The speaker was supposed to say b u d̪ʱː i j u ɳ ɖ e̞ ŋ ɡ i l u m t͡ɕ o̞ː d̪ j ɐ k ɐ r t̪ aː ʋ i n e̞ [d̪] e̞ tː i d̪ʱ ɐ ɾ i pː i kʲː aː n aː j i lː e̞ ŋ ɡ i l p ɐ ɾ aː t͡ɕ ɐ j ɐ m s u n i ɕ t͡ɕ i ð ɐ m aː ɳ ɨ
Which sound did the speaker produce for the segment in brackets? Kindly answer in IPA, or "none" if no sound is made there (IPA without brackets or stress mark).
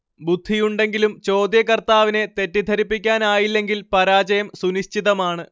t̪